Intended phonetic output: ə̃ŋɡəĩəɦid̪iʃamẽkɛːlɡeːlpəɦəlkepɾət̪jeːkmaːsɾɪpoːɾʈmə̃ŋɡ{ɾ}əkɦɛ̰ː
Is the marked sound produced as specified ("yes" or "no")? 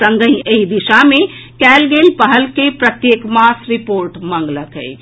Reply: no